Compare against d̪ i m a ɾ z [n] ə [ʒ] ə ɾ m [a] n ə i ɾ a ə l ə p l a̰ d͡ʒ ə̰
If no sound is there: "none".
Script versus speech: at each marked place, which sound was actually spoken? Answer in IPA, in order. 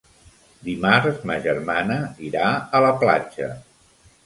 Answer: m, ʒ, a

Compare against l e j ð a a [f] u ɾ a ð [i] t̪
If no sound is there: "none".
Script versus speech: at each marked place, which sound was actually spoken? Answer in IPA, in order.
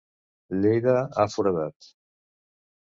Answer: f, a

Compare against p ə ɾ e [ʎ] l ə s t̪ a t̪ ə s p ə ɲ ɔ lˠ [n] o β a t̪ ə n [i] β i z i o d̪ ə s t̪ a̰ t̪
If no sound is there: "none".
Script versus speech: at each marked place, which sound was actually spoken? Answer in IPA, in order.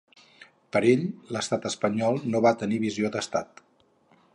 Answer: ʎ, n, i

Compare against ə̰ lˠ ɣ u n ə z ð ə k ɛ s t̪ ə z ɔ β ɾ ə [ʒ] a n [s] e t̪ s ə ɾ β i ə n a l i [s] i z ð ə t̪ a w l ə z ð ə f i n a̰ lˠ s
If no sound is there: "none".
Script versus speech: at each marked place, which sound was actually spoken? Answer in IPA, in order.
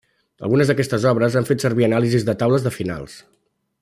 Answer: z, f, z

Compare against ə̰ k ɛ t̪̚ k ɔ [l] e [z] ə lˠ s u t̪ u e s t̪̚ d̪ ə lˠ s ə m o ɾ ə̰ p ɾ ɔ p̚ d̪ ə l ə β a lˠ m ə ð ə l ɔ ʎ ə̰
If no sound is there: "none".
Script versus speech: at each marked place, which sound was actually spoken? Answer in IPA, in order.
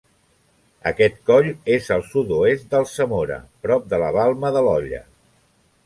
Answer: ʎ, z

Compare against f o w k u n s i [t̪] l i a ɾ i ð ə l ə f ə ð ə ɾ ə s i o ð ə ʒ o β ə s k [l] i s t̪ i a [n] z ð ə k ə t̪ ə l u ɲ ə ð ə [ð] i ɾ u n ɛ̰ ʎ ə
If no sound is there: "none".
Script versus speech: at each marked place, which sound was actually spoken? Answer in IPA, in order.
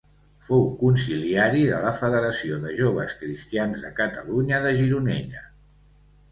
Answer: none, ɾ, n, ʒ

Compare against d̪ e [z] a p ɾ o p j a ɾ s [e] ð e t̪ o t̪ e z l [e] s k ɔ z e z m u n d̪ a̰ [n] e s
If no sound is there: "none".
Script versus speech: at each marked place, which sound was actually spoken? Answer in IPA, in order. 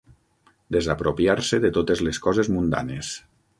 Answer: z, e, e, n

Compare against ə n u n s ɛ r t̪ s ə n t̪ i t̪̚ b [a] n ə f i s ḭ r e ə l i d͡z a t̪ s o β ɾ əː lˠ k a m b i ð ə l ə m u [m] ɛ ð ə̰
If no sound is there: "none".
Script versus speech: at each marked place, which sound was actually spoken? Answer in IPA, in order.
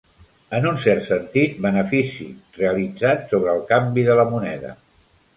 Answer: ə, n

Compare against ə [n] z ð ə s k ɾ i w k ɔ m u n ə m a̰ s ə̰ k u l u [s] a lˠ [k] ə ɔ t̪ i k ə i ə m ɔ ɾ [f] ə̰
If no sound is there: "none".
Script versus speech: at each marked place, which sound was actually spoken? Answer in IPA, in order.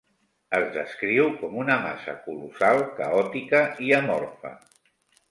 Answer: none, s, k, f

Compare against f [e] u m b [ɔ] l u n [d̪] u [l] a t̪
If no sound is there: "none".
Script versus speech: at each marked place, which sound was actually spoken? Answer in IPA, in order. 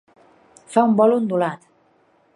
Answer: a, ɔ, d̪, l

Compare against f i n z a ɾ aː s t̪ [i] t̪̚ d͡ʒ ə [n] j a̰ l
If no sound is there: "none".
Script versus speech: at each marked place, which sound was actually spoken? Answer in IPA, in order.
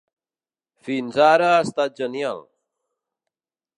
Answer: a, n

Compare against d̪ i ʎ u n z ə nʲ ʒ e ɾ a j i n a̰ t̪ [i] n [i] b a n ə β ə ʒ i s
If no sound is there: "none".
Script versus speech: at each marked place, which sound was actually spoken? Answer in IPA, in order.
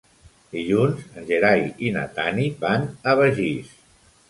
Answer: a, i

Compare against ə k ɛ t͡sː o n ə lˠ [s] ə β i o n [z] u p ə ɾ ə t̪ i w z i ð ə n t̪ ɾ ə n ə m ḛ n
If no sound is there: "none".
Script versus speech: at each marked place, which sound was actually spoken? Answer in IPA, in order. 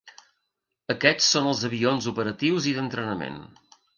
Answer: z, z

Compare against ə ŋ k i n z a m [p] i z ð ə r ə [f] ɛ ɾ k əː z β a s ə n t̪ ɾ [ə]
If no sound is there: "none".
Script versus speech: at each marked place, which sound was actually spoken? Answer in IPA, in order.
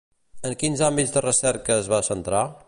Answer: b, s, a

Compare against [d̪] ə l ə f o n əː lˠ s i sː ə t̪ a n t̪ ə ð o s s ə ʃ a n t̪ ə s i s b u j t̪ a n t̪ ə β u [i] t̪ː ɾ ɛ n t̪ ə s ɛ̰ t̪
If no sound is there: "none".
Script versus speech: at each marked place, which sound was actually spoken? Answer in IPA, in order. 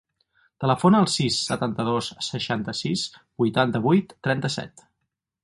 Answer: t̪, j

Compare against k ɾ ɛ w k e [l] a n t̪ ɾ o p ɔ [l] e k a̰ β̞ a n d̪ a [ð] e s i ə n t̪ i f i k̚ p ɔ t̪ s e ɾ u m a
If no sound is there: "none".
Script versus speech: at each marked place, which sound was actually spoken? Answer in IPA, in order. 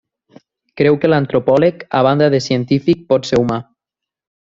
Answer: l, l, ð

